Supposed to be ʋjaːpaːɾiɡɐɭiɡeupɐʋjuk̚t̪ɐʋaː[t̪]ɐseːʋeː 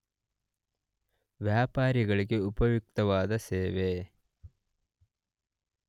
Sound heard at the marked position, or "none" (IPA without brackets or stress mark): d̪